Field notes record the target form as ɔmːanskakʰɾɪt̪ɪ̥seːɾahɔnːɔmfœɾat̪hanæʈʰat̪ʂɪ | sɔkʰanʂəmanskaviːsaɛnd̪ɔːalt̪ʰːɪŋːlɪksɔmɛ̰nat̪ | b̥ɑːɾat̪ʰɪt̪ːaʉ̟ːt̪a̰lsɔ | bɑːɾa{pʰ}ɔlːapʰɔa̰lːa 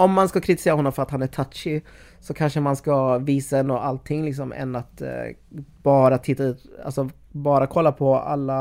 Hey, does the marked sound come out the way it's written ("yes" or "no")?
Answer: no